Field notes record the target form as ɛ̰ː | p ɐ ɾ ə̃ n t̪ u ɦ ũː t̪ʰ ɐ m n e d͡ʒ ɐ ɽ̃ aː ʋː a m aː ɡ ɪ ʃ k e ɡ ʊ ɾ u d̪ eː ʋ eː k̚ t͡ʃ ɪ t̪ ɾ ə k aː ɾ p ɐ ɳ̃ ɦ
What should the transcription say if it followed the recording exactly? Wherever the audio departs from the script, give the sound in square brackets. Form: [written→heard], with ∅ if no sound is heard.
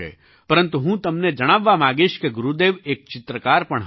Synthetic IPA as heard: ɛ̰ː | p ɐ ɾ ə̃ n t̪ u ɦ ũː [t̪ʰ→t̪] ɐ m n e d͡ʒ ɐ ɽ̃ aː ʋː a m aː ɡ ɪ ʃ k e ɡ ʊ ɾ u d̪ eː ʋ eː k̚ t͡ʃ ɪ t̪ ɾ ə k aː ɾ p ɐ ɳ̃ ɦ